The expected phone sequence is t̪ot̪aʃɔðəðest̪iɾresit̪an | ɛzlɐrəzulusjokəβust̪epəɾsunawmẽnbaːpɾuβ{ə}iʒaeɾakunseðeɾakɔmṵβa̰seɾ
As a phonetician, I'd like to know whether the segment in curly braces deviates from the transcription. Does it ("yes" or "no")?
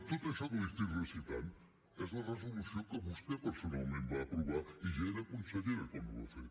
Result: yes